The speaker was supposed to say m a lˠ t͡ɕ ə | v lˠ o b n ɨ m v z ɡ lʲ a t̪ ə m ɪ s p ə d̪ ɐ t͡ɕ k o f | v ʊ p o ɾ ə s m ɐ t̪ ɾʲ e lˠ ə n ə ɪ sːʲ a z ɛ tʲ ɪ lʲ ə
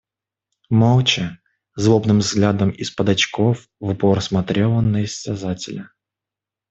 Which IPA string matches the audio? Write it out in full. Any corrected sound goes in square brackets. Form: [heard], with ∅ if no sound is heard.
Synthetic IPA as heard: m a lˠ t͡ɕ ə | [z] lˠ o b n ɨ m v z ɡ lʲ a [d̪] ə m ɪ s p ə d̪ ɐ t͡ɕ k o f | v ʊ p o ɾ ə s m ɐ t̪ ɾʲ e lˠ ə n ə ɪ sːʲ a z [a] tʲ ɪ lʲ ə